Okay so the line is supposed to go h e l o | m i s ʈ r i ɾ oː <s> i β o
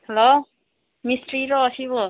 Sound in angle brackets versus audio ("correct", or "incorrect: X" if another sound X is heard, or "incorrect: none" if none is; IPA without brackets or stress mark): correct